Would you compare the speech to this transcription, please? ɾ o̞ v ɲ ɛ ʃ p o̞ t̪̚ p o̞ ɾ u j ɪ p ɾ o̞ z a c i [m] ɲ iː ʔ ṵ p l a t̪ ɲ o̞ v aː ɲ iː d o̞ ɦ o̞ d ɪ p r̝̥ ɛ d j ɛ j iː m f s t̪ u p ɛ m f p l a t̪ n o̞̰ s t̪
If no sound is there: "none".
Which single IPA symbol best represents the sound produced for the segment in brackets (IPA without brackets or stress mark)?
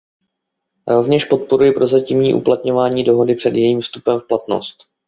m